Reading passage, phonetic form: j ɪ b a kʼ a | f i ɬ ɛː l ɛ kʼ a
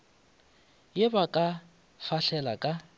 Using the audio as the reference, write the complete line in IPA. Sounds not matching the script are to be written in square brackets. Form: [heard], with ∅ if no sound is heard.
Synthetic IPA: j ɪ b a kʼ a | f [a] ɬ [ɛ] l [a] kʼ a